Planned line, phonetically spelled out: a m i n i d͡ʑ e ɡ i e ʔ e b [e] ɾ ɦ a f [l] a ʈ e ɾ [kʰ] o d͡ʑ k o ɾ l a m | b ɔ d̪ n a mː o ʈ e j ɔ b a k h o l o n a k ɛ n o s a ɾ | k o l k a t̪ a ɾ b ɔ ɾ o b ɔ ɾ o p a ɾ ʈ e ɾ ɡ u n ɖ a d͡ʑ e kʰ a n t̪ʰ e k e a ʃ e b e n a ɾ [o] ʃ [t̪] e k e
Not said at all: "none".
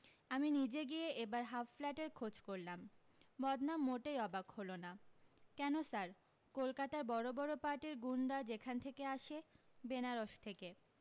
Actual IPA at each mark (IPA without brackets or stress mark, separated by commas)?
a, l, kʰ, o, t̪ʰ